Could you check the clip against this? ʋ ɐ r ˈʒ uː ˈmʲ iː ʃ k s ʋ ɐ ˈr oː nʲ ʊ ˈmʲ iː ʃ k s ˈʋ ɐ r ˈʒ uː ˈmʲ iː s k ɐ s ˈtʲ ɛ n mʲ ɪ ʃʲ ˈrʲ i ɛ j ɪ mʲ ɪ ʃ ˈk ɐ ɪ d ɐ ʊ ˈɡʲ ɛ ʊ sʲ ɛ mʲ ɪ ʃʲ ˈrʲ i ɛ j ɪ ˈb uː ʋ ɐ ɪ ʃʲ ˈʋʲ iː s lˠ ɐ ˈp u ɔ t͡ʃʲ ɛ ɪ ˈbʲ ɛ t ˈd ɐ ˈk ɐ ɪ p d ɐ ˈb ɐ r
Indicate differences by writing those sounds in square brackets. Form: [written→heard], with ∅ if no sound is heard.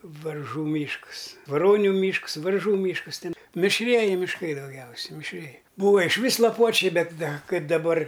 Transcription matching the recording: ʋ ɐ r ˈʒ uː ˈmʲ iː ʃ k s ʋ ɐ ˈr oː nʲ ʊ ˈmʲ iː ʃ k s ˈʋ ɐ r ˈʒ uː ˈmʲ iː [s→ʃ] k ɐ s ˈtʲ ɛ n mʲ ɪ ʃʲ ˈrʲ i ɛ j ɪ mʲ ɪ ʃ ˈk ɐ ɪ d ɐ ʊ ˈɡʲ ɛ ʊ sʲ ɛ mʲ ɪ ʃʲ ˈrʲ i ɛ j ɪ ˈb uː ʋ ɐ ɪ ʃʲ ˈʋʲ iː s lˠ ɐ ˈp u ɔ t͡ʃʲ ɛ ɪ ˈbʲ ɛ t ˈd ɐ ˈk ɐ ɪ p d ɐ ˈb ɐ r